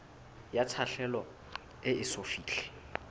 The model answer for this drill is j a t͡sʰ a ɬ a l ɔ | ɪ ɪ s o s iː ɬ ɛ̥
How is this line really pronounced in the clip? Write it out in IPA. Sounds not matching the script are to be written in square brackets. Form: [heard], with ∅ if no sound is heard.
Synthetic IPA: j a t͡sʰ a ɬ [ɛ] l ɔ | ɪ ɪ s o [f] iː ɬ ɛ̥